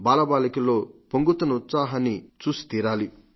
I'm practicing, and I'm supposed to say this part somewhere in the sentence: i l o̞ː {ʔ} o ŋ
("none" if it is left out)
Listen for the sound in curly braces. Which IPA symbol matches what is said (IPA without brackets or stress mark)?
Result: p